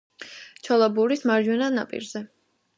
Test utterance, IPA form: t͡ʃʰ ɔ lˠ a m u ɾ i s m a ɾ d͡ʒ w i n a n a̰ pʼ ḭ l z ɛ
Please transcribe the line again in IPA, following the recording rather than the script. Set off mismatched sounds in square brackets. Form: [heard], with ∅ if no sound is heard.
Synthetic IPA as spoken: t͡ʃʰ ɔ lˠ a [b] u ɾ i s m a ɾ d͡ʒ w [ɛ] n a n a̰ pʼ ḭ [ɾ] z ɛ